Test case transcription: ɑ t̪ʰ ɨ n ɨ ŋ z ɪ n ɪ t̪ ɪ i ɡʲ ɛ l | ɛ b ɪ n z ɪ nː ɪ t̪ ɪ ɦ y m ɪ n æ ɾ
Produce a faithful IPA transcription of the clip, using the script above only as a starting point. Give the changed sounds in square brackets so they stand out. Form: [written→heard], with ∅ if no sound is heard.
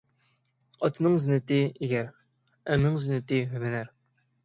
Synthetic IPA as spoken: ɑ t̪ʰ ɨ n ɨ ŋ z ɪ n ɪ t̪ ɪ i ɡʲ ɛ [l→ɾ] | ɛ [b→m] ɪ [n→ŋ] z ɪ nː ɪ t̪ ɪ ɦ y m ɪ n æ ɾ